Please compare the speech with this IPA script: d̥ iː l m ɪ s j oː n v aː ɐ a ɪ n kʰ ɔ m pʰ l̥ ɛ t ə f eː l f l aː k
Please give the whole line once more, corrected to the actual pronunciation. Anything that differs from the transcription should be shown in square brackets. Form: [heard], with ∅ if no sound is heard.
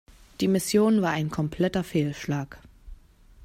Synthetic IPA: d̥ iː [∅] m ɪ s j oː n v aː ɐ a ɪ n kʰ ɔ m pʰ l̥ ɛ t [ɐ] f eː l [ʃ] l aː k